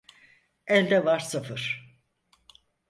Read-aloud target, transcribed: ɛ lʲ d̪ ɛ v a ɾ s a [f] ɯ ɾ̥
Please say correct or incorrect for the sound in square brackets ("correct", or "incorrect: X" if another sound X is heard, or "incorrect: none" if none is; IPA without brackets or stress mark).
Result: correct